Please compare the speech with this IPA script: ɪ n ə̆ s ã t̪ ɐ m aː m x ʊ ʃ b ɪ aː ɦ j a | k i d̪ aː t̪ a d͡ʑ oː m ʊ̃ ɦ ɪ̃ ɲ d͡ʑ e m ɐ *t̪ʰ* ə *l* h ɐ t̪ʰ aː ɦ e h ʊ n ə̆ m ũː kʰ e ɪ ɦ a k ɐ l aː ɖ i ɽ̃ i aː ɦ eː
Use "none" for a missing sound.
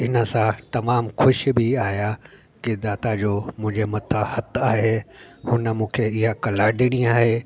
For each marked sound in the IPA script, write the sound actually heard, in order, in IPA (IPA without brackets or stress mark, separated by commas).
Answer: t̪ʰ, none